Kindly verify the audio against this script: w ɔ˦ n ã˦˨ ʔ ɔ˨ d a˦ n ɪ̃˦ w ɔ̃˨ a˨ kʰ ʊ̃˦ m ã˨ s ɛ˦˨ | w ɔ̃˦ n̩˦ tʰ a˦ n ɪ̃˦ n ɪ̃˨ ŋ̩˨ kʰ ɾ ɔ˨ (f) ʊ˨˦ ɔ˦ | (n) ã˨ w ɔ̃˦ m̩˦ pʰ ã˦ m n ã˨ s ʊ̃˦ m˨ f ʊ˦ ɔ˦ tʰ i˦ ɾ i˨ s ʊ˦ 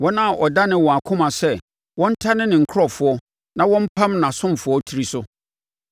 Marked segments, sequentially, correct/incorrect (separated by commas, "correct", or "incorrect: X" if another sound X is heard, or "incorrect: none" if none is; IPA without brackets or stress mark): correct, correct